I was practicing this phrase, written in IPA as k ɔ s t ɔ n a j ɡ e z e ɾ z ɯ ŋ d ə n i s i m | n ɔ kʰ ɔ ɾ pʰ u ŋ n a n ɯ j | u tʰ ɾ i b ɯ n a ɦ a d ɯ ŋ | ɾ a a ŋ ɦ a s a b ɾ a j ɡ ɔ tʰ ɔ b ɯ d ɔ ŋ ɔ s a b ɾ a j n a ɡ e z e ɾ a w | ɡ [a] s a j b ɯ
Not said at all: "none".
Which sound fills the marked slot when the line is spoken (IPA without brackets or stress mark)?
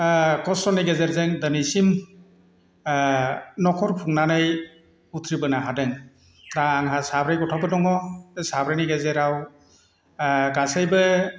a